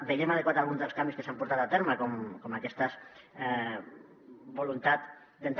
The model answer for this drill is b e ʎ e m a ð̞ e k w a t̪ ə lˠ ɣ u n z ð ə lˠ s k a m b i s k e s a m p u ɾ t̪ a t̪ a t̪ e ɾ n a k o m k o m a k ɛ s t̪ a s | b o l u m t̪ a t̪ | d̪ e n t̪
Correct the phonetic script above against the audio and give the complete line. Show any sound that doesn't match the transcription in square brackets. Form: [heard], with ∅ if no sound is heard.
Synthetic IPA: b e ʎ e m a ð̞ e k w a t̪ [a] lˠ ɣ u n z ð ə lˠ s k a m b i s k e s a m p u ɾ t̪ a t̪ a t̪ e ɾ [m] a k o m k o m a k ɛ s t̪ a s | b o l u [n] t̪ a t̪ | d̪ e n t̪